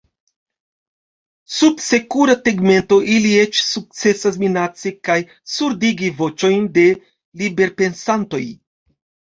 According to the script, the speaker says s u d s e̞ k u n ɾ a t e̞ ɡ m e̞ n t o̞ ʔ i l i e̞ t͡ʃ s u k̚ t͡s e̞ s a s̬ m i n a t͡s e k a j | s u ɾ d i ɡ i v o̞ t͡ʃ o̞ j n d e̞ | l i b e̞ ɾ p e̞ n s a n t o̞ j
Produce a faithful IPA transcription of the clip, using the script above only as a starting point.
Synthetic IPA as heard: s u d s e̞ k u ɾ a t e̞ ɡ m e̞ n t o̞ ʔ i l i e̞ t͡ʃ s u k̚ t͡s e̞ s a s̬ m i n a t͡s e k a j | s u ɾ d i ɡ i v o̞ t͡ʃ o̞ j n d e̞ | l i b e̞ ɾ p e̞ n s a n t o̞ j